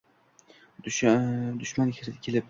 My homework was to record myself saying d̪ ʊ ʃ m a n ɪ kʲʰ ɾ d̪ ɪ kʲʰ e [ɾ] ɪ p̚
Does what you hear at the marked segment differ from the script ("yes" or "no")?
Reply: yes